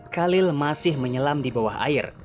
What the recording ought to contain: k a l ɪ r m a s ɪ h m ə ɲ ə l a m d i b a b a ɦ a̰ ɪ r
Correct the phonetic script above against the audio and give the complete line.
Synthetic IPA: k a l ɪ l m a s ɪ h m ə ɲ ə l a m d i b a w a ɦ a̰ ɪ r